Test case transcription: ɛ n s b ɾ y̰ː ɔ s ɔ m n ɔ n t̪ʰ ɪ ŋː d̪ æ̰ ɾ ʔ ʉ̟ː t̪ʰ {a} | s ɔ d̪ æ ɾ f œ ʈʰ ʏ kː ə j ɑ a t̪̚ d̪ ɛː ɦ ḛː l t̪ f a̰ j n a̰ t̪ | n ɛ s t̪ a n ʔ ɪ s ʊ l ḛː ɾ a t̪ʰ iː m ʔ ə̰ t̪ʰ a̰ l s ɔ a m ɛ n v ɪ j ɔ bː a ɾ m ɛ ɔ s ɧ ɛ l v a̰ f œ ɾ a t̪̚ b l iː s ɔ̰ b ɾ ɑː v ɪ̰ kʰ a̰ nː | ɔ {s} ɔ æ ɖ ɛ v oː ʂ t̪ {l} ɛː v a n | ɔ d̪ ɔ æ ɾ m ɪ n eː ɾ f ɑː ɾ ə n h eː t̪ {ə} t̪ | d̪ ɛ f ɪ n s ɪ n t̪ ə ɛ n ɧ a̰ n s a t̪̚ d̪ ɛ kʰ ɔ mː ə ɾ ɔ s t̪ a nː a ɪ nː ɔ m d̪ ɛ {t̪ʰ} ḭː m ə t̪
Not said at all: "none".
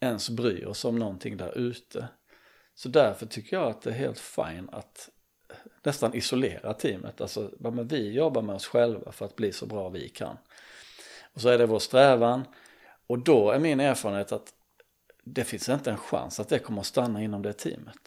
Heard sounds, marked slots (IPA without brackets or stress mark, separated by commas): ə, s, ɾ, a, t̪ʰ